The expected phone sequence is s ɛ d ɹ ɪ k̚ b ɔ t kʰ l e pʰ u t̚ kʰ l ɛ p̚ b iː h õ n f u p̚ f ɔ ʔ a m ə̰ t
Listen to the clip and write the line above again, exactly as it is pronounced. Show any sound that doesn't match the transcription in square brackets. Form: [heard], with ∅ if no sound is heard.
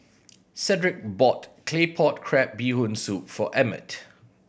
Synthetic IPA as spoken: s ɛ d ɹ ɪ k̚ b ɔ t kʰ l e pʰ [ɔ] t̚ kʰ [ɹ] ɛ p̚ b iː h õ n [s] u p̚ f ɔ ʔ [ɛ] m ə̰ t

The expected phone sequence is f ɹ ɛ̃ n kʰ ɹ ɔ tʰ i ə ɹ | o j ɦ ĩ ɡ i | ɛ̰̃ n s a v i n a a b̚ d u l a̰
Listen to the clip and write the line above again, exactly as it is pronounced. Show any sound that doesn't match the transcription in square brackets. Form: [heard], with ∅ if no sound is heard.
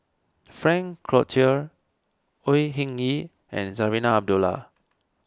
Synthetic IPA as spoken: f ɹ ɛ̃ [ŋ] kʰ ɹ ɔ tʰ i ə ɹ | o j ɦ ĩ [ŋ] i | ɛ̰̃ n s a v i n a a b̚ d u l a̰

